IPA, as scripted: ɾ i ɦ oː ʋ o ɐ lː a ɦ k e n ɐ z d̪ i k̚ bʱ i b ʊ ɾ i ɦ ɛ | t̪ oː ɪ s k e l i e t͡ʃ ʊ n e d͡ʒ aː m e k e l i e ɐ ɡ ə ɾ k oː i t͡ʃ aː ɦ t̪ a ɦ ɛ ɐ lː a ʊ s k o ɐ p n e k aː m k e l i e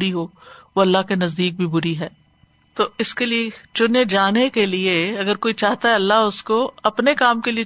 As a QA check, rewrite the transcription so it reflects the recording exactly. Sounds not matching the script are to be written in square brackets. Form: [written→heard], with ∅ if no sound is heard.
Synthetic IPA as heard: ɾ i ɦ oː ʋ o ɐ lː a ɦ k e n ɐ z d̪ [i→iː] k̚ bʱ i b ʊ ɾ i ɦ [ɛ→ɛː] | t̪ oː ɪ s k e l i e t͡ʃ ʊ n e d͡ʒ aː [m→n] e k e l i e ɐ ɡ ə ɾ k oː i t͡ʃ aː ɦ t̪ a ɦ ɛ ɐ lː a ʊ s k o ɐ p n e k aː m k e l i e